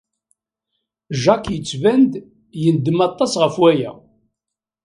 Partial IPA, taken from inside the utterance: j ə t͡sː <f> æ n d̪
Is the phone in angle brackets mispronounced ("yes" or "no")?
yes